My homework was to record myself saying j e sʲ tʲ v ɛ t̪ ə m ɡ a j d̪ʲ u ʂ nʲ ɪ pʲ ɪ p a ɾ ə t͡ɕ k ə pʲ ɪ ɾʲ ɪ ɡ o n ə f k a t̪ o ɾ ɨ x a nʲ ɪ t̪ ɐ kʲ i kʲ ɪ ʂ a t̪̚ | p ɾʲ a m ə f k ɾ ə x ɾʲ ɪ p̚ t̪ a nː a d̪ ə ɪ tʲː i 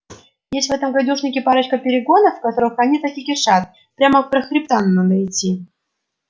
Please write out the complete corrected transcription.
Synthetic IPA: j e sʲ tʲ v ɛ t̪ ə m ɡ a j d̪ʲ u ʂ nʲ ɪ kʲ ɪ p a ɾ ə t͡ɕ k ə pʲ ɪ ɾʲ ɪ ɡ o n ə f k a t̪ o ɾ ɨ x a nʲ i t̪ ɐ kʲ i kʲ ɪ ʂ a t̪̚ | p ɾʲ a m ə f p ɾ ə x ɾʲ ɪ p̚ t̪ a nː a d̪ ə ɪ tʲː i